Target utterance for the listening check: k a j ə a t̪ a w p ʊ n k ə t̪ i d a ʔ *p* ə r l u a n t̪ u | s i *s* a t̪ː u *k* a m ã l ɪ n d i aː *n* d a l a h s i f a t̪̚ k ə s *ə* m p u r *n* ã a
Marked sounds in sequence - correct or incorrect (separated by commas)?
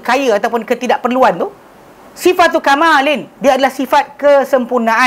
correct, incorrect, correct, incorrect, correct, correct